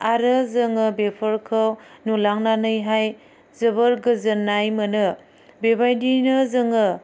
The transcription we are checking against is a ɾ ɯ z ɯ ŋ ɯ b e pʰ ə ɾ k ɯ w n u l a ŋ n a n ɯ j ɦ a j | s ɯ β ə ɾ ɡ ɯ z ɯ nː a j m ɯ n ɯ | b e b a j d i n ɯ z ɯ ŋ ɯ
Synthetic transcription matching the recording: a ɾ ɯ z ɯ ŋ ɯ b e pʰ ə ɾ kʰ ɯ w n u l a ŋ n a n ɯ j ɦ a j | z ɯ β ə ɾ ɡ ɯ z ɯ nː a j m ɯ n ɯ | b e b a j d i n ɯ z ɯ ŋ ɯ